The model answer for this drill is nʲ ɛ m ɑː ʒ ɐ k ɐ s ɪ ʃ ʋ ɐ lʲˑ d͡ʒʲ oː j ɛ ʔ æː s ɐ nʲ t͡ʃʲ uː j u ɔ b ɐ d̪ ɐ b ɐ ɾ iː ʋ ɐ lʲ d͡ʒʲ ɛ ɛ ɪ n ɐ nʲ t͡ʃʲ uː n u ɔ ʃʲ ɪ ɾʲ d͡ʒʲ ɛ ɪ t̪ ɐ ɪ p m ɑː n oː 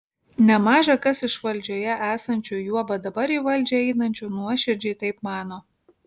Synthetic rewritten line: nʲ ɛ m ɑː ʒ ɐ k ɐ s ɪ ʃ ʋ ɐ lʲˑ d͡ʒʲ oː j ɛ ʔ æː s ɐ nʲ t͡ʃʲ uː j u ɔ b ɐ d̪ ɐ b ɐ ɾ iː ʋ ɐ lʲ d͡ʒʲ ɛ ɛ ɪ n ɐ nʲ t͡ʃʲ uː n u ɔ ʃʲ ɪ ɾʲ d͡ʒʲ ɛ ɪ t̪ ɐ ɪ p m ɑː n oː